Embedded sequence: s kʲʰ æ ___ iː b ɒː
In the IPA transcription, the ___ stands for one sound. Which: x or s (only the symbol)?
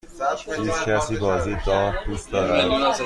s